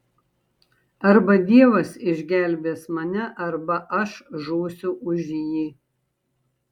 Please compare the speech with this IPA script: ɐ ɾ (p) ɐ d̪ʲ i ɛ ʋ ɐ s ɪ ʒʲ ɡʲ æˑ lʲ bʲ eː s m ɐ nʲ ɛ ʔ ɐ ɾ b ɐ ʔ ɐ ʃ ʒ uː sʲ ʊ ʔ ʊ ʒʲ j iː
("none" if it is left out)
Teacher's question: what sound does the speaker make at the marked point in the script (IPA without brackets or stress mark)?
b